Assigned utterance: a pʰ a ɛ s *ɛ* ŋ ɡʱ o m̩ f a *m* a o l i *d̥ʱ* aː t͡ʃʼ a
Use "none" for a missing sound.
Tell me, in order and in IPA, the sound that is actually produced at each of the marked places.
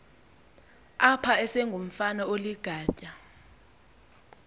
ɛ, n, ɡ̥ʱ

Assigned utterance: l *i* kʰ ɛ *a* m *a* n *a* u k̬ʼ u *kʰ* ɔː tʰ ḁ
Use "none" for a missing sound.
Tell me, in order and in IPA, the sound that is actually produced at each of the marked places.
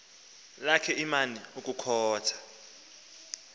a, i, a, i, kʰ

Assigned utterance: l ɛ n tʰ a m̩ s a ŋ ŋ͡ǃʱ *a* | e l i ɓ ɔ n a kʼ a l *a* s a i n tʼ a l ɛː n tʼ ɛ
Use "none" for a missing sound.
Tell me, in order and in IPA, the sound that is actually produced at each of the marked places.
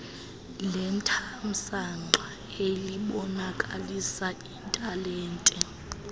a, i

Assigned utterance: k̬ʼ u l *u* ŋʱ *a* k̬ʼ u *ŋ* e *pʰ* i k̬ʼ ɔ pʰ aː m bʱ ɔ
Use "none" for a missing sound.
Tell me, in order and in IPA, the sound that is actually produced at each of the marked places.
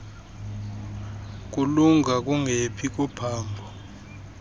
u, a, ŋ, pʰ

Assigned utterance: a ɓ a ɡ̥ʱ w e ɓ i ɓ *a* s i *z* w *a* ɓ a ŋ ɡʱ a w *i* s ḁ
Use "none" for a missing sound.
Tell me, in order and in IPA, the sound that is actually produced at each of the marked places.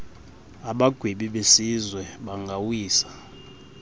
e, z, ɛ, iː

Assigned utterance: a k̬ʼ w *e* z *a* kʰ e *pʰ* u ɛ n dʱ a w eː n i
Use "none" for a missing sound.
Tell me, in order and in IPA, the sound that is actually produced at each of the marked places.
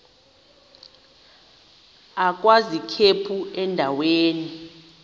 a, i, pʰ

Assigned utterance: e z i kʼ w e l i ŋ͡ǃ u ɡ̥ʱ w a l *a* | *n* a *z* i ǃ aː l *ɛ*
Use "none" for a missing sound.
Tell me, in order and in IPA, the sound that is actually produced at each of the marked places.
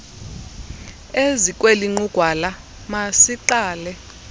a, m, s, ɛ

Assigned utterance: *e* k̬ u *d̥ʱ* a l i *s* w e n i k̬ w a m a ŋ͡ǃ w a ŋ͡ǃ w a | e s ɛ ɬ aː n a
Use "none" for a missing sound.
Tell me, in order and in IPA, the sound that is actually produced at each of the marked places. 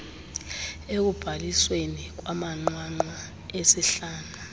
e, b̥ʱ, s

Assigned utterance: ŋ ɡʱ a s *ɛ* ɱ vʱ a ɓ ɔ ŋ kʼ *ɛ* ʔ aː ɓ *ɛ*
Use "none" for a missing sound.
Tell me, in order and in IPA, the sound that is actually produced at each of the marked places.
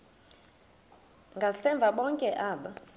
ɛ, ɛ, a

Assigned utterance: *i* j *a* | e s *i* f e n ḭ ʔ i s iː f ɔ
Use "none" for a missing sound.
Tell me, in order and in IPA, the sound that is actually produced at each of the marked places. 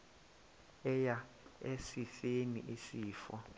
ɛ, a, i

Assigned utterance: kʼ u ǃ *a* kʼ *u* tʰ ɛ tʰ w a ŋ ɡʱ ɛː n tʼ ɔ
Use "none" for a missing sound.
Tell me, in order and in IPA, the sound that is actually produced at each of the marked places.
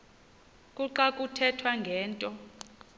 a, u

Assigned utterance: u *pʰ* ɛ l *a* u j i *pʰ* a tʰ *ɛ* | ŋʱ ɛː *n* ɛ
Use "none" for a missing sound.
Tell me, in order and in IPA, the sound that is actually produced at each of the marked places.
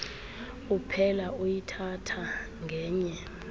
pʰ, a, tʰ, a, ɲ

